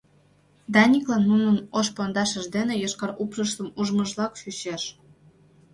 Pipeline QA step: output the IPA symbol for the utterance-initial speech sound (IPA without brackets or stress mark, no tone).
d̪